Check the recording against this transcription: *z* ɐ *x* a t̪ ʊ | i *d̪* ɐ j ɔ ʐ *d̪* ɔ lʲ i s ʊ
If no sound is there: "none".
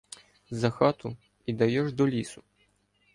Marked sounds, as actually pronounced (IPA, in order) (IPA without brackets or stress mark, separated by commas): z, x, d̪, d̪